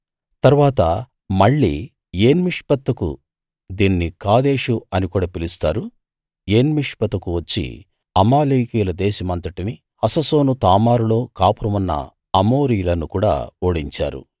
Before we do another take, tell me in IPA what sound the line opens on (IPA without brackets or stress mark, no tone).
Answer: t̪